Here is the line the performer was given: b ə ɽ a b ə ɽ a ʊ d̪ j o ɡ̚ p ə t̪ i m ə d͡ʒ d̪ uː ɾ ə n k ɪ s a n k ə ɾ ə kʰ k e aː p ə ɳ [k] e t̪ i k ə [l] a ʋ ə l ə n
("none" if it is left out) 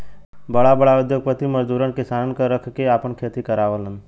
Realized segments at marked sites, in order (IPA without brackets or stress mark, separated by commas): kʰ, ɾ